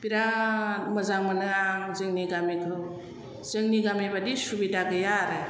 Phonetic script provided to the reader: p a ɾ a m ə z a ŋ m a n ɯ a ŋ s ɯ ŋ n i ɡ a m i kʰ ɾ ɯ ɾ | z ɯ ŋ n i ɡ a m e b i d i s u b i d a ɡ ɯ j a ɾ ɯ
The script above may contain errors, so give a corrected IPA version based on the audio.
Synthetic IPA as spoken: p i ɾ a m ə z a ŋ m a n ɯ a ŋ z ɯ ŋ n i ɡ a m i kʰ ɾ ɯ | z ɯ ŋ n i ɡ a m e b a d i s u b i d a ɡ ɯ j a ɾ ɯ

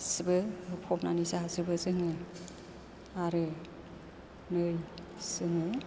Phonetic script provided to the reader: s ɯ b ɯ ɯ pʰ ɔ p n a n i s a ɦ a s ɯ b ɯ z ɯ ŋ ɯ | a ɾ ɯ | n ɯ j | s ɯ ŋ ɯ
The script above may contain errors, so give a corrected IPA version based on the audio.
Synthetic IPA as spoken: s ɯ b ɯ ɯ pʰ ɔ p n a n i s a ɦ a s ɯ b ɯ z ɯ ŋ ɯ | a ɾ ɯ | n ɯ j | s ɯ ŋ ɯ

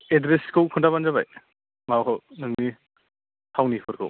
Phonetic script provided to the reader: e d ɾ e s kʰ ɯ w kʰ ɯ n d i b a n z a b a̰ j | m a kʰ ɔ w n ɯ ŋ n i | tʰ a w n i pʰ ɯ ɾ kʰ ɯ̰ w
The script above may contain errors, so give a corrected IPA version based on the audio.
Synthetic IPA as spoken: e d ɾ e s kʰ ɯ w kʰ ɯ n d a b a n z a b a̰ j | m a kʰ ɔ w n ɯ ŋ n i | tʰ a w n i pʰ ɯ ɾ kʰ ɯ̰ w

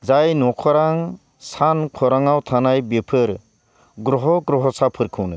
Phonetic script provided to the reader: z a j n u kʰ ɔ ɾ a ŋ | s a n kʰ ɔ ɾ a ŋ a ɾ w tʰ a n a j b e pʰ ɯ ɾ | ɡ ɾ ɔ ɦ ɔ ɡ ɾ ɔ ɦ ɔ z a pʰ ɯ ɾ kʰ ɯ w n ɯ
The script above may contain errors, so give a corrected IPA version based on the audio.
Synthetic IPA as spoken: z a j n ɔ kʰ ɔ ɾ a ŋ | s a n kʰ ɔ ɾ a ŋ a w tʰ a n a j b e pʰ ɯ ɾ | ɡ ɾ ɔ ɦ ɔ ɡ ɾ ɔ ɦ ɔ s a pʰ ɯ ɾ kʰ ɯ w n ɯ

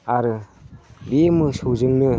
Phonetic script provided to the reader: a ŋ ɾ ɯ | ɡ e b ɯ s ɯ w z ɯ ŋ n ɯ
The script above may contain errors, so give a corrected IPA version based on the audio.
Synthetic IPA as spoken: a ɾ ɯ | b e m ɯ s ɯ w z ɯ ŋ n ɯ

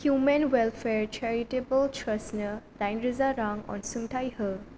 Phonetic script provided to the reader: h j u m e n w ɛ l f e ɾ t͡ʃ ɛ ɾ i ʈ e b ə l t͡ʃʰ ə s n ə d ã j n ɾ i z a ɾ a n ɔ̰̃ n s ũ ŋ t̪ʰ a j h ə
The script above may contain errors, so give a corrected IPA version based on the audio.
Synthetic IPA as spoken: h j u m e n w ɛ l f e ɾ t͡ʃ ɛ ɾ i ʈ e b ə l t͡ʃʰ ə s n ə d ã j n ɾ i z a ɾ a ŋ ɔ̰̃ n s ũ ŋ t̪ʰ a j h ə

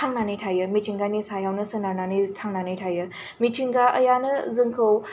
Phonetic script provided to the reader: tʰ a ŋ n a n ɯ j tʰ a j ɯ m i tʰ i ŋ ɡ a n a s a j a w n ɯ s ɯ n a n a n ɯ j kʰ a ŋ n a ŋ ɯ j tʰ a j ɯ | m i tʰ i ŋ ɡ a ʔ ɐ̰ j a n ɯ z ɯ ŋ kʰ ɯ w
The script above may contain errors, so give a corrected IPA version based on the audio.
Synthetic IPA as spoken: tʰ a ŋ n a n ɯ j tʰ a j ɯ m i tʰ i ŋ ɡ a n i s a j a w n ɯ s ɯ n a n a n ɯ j tʰ a ŋ n a n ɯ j tʰ a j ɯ | m i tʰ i ŋ ɡ a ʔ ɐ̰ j a n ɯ z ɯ ŋ kʰ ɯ w

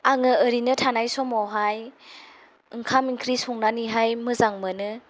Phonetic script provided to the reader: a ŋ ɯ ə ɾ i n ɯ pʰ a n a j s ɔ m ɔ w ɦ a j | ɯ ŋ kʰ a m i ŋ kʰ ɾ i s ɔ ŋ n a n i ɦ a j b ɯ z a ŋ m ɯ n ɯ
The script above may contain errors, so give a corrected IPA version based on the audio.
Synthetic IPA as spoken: a ŋ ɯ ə ɾ i n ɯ tʰ a n a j s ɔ m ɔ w ɦ a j | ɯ ŋ kʰ a m i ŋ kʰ ɾ i s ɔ ŋ n a n i ɦ a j m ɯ z a ŋ m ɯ n ɯ

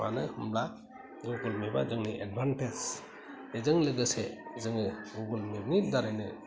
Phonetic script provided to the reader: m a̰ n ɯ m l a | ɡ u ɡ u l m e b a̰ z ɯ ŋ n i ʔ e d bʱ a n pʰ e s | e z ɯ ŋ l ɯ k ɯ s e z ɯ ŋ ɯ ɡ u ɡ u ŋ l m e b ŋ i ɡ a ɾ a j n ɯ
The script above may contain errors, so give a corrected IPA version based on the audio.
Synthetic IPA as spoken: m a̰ n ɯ m l a | ɡ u ɡ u l m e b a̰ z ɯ ŋ n i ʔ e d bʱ a n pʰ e s | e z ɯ ŋ l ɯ ɡ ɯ s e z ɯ ŋ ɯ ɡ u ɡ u l m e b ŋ i d a ɾ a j n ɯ

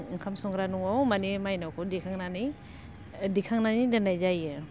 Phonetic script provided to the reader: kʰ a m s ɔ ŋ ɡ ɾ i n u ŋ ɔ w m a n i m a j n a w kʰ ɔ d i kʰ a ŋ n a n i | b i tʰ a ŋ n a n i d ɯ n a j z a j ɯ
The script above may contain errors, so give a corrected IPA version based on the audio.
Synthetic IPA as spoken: kʰ a m s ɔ ŋ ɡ ɾ a n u ŋ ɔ w m a n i m a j n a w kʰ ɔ d i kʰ a ŋ n a n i | d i kʰ a ŋ n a n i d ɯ n a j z a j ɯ

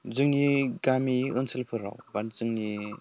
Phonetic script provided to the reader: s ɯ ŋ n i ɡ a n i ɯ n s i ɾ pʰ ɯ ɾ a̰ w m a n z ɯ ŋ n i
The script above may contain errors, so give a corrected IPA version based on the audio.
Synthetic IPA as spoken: z ɯ ŋ n i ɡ a m i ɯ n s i l pʰ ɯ ɾ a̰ w b a n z ɯ ŋ n i

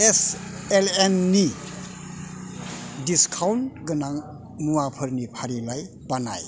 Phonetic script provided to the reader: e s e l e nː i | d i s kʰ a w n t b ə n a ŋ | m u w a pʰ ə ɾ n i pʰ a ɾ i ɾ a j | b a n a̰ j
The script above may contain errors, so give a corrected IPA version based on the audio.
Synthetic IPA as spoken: e s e l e nː i | d i s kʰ a w n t ɡ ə n a ŋ | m u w a pʰ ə ɾ n i pʰ a ɾ i l a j | b a n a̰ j

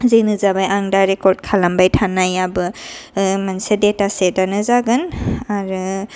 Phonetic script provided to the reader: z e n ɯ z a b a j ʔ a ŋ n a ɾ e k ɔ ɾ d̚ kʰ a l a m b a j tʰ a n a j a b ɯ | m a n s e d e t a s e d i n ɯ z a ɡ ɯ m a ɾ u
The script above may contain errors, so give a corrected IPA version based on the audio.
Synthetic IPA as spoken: z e n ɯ z a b a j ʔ a ŋ d a ɾ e k ɔ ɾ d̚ kʰ a l a m b a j tʰ a n a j a b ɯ | m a n s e d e t a s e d a n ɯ z a ɡ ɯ n a ɾ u

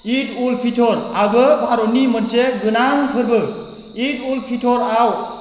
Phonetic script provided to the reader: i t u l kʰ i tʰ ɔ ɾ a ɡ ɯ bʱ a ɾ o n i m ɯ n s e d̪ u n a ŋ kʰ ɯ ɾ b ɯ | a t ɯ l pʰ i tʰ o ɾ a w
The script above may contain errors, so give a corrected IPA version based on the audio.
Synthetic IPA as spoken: i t u l pʰ i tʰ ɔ ɾ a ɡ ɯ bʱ a ɾ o n i m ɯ n s e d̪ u n a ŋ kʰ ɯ ɾ b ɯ | i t u l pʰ i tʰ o ɾ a w

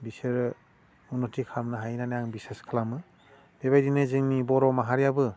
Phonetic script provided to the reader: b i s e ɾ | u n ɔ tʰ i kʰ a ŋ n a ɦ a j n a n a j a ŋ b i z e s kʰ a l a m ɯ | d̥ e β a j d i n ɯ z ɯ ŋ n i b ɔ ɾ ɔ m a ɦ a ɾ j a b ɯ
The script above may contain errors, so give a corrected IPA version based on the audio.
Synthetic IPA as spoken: b i s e ɾ | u n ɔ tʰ i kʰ a m n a ɦ a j n a n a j a ŋ b i s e s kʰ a l a m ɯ | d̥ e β a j d i n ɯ z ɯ ŋ n i b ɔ ɾ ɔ m a ɦ a ɾ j a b ɯ

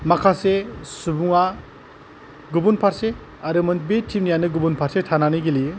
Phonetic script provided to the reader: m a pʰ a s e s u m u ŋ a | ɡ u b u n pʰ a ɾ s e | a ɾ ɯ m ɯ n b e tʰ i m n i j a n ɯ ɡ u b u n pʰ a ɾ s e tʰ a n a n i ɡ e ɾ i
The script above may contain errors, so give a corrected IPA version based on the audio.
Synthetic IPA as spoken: m a kʰ a s e s u b u ŋ a | ɡ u b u n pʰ a ɾ s e | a ɾ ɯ m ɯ n b e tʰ i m n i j a n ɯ ɡ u b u n pʰ a ɾ s e tʰ a n a n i ɡ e l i

